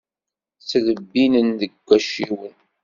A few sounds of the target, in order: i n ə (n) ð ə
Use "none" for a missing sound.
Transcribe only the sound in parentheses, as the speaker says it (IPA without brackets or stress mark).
n